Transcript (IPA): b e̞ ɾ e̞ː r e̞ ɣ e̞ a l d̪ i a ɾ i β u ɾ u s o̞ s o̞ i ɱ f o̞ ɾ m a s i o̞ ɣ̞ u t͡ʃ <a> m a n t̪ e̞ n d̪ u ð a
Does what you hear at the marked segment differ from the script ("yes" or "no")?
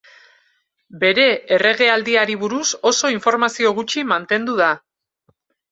yes